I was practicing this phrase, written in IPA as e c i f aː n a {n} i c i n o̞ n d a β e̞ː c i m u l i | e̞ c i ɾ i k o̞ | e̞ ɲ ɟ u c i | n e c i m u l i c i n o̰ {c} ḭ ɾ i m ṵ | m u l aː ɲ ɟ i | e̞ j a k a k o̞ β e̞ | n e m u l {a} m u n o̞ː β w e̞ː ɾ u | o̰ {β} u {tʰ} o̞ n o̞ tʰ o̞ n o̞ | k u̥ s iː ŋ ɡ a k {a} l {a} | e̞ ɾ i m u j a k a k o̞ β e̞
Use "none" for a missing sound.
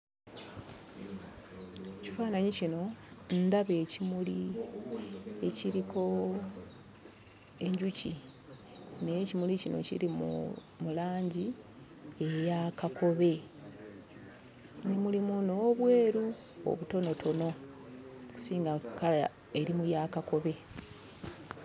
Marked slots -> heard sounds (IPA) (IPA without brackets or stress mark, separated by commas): ɲ, c, i, β, t, a, a